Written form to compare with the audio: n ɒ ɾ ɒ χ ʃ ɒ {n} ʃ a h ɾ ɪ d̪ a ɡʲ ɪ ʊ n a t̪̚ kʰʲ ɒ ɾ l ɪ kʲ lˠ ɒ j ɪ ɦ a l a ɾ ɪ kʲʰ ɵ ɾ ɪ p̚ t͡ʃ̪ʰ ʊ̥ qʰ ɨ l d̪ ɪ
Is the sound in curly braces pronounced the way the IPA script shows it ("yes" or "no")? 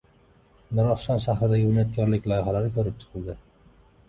yes